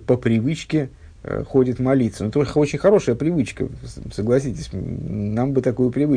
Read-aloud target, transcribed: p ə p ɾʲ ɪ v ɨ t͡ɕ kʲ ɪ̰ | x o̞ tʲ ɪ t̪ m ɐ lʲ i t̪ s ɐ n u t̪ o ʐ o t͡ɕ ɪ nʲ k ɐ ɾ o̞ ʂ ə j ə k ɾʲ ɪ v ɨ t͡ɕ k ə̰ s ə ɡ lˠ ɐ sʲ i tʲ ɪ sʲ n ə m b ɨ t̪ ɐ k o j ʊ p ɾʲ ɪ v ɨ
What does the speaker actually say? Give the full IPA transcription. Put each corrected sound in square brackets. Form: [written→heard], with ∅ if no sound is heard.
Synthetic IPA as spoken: p ə p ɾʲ ɪ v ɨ t͡ɕ kʲ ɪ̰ | x o̞ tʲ ɪ t̪ m ɐ lʲ i t̪ s [ɐ→ə] n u t̪ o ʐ o t͡ɕ ɪ nʲ [k→x] ɐ ɾ o̞ ʂ ə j ə [k→p] ɾʲ ɪ v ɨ t͡ɕ k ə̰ s ə ɡ lˠ ɐ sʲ i tʲ ɪ sʲ n [ə→a] m b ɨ t̪ ɐ k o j ʊ p ɾʲ ɪ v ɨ